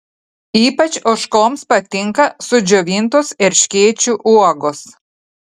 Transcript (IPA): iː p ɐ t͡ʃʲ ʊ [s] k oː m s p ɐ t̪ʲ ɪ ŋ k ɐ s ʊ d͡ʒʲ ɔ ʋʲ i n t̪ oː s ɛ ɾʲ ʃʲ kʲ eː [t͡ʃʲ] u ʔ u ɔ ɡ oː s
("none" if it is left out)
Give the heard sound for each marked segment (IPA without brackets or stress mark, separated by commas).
ʃ, t͡ʃʲ